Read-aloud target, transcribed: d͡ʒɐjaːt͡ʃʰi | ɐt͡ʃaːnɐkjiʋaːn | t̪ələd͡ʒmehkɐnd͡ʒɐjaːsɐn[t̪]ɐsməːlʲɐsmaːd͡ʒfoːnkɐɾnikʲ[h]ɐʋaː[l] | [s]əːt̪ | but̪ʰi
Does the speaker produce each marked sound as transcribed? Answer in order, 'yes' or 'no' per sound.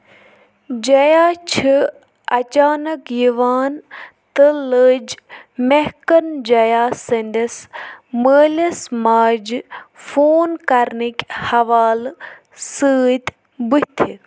no, yes, yes, yes

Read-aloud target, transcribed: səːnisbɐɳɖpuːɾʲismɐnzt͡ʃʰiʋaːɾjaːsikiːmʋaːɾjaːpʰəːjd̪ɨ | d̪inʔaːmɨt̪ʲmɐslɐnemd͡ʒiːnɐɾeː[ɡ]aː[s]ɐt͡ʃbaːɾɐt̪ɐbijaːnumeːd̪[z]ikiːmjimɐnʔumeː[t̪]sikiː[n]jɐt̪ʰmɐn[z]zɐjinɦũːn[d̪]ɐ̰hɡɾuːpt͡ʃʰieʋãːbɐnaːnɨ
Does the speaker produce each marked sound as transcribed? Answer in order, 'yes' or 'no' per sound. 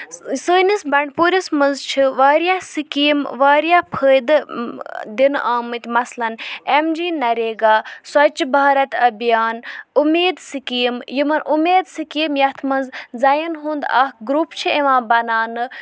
yes, yes, no, no, no, yes, yes

